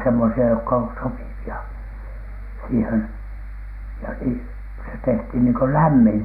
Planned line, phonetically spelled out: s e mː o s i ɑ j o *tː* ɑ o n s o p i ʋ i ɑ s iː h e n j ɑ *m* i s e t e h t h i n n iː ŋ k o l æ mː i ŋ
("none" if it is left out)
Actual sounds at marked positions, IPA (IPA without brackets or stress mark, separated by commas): kː, n